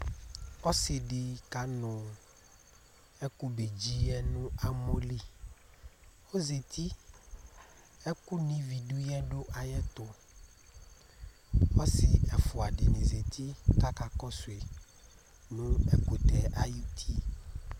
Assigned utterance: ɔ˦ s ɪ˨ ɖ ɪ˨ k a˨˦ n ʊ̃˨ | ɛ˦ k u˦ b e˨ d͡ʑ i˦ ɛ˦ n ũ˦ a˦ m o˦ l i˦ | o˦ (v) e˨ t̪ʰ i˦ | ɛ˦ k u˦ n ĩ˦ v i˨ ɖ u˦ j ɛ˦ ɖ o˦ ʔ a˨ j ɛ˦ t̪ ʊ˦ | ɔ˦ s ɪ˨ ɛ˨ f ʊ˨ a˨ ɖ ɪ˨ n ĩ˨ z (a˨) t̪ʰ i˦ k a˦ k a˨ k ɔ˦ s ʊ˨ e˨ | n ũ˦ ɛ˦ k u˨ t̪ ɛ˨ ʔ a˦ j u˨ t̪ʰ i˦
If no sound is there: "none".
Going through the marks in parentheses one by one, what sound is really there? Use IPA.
z, e˨

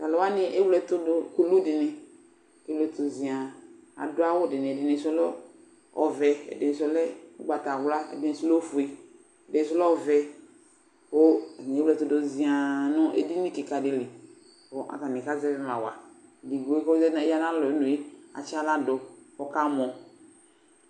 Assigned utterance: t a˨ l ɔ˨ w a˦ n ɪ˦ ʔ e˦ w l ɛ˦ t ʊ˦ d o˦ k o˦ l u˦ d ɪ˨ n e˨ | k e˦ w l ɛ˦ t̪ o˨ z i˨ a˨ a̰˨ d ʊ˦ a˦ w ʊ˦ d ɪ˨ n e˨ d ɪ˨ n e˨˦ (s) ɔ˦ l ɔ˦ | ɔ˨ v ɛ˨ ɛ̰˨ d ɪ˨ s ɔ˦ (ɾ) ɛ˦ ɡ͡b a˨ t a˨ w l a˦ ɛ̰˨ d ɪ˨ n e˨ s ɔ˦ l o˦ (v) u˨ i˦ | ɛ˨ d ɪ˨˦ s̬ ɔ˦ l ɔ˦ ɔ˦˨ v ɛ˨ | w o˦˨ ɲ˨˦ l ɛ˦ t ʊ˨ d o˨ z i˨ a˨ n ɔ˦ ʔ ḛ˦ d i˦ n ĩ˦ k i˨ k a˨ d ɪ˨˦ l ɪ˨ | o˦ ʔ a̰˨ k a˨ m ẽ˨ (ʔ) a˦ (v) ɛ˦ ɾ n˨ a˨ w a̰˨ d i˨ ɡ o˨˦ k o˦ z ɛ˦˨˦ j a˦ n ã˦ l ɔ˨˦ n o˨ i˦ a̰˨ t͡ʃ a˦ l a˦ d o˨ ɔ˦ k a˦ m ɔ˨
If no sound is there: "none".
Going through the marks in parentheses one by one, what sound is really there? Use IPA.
s, l, f, k, z

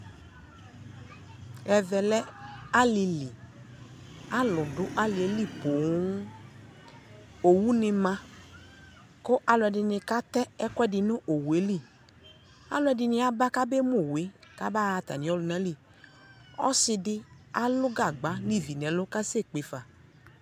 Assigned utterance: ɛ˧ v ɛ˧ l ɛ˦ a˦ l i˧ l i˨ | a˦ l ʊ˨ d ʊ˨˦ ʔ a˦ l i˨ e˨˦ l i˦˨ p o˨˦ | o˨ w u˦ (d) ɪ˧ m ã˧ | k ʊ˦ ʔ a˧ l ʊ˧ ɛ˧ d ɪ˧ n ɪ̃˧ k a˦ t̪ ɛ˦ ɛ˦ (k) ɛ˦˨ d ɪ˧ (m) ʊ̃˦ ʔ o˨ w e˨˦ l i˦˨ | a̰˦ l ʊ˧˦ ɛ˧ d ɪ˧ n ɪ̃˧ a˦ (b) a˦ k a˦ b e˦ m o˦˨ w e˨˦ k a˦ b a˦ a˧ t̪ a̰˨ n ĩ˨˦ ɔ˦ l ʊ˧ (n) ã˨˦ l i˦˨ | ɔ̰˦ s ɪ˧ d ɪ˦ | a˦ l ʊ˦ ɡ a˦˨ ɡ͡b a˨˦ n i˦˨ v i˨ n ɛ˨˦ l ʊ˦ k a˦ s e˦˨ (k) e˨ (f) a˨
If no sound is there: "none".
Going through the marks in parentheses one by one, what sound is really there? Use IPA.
n, k, n, b, n, k͡p, f

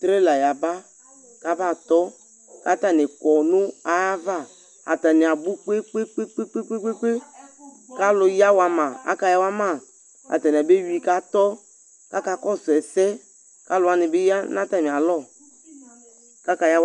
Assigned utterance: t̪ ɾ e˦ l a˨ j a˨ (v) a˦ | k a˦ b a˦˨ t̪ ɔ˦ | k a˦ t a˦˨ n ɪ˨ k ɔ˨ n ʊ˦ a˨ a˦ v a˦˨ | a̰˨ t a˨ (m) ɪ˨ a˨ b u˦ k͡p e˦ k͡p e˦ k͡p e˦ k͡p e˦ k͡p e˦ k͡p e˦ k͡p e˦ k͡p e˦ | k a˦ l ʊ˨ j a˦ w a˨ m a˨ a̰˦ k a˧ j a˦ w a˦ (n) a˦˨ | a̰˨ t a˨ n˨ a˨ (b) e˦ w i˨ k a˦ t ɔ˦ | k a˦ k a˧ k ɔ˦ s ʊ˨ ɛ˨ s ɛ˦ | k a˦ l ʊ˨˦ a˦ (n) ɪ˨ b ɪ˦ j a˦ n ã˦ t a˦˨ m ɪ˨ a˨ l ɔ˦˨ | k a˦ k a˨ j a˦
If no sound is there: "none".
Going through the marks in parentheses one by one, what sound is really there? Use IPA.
b, n, m, b, n

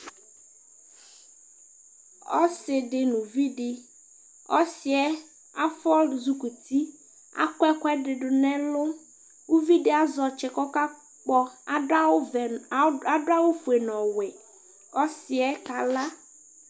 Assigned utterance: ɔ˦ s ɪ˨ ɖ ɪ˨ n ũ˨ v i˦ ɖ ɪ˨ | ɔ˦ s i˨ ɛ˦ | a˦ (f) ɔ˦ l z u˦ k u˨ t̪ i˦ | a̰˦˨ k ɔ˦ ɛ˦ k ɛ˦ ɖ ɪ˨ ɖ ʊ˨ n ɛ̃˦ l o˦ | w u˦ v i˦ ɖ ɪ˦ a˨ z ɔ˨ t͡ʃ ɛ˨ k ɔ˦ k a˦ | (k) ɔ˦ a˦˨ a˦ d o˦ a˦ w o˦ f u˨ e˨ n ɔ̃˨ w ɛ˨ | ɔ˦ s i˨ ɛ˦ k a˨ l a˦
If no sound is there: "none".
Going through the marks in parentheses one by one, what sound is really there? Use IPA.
f, k͡p

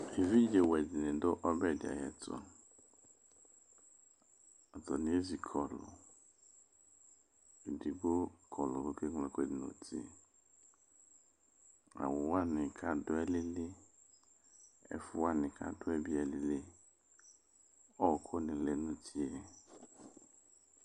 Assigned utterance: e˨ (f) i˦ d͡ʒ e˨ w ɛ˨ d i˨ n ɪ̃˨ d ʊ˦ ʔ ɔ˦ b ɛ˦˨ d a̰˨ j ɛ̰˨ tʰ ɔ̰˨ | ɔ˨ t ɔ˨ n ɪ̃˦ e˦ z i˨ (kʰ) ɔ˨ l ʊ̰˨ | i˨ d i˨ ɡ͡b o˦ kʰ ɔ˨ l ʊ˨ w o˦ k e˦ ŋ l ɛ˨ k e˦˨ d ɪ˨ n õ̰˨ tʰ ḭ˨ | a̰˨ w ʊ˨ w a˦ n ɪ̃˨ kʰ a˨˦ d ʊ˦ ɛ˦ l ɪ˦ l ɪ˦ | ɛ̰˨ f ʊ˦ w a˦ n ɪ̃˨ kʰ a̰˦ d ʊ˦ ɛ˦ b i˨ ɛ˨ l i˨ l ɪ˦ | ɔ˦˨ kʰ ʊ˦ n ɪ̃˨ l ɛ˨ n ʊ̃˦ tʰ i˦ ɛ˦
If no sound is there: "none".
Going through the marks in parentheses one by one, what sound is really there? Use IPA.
v, kʰ

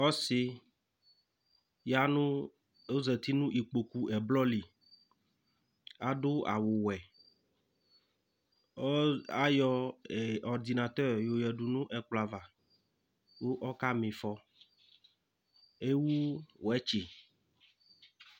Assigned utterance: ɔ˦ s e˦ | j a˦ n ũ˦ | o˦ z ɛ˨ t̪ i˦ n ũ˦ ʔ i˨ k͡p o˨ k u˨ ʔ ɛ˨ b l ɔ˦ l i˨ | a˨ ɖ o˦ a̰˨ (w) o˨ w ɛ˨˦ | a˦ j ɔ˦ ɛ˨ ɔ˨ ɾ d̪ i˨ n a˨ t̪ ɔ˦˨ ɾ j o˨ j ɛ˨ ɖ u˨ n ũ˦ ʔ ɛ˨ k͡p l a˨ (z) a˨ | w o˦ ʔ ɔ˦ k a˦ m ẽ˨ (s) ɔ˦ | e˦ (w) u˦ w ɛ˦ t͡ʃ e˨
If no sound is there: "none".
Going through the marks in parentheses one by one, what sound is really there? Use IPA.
w, v, f, w

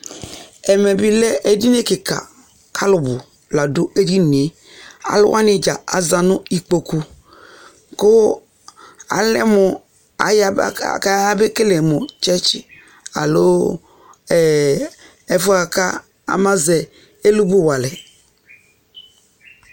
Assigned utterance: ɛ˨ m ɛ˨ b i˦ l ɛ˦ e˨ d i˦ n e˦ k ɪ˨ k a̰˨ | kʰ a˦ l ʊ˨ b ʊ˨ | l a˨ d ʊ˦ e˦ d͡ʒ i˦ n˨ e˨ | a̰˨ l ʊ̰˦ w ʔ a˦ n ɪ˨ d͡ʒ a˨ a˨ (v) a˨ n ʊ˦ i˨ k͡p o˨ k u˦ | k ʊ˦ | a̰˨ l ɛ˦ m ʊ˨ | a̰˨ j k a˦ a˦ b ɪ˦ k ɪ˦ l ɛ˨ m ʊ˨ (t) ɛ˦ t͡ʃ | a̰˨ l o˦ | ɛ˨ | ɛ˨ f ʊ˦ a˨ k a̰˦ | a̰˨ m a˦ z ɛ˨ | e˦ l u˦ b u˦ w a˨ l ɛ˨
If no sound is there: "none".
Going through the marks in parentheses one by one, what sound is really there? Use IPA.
z, t͡ʃ

